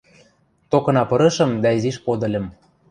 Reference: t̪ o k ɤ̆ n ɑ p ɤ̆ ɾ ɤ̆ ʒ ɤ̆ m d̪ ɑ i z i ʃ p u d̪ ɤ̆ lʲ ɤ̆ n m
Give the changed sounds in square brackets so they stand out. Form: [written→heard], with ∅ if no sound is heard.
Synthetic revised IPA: t̪ o k ɤ̆ n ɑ p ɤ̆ ɾ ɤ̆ [ʒ→ʃ] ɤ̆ m d̪ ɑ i z i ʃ p [u→o] d̪ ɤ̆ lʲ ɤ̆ [n→∅] m